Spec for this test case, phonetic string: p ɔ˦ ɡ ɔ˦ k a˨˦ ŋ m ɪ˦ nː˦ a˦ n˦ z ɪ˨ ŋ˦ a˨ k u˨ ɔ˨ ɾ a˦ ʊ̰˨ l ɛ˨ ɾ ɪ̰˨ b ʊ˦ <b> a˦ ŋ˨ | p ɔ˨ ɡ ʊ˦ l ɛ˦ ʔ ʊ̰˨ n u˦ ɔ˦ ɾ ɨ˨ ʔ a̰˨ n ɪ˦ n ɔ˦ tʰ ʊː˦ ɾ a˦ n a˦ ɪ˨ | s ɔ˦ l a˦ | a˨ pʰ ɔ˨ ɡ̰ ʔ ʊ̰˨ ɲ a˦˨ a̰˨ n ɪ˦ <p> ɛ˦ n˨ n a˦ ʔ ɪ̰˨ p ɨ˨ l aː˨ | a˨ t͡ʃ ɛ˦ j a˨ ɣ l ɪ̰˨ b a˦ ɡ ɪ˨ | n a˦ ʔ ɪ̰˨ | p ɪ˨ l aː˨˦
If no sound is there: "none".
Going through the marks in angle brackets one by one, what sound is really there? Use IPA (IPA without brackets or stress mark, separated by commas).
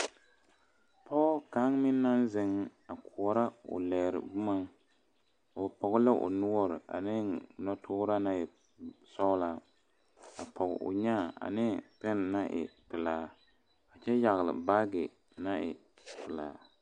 m, p